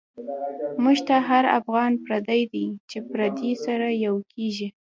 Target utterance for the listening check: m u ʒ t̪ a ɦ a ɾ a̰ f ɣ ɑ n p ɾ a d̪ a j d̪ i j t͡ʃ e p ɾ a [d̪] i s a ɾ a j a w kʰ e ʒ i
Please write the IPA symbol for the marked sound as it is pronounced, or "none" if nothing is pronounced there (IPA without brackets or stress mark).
d̪